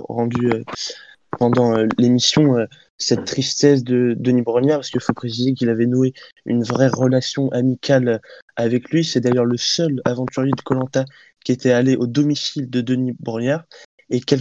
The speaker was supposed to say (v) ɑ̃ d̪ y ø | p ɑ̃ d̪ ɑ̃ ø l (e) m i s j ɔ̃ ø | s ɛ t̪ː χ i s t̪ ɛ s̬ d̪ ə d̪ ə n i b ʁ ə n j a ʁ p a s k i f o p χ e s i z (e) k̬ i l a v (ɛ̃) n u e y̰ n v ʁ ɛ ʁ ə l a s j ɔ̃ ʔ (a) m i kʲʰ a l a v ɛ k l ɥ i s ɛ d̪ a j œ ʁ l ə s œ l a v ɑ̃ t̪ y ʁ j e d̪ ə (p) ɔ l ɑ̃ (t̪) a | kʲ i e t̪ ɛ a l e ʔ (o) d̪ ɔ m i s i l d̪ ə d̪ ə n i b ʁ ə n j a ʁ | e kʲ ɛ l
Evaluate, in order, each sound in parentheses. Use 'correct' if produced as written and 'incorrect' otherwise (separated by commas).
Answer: incorrect, correct, correct, incorrect, correct, incorrect, correct, correct